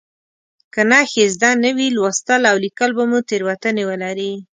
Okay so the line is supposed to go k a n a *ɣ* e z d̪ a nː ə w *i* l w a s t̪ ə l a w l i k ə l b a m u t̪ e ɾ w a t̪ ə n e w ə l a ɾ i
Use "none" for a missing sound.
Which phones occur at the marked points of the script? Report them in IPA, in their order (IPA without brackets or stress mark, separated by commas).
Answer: x, i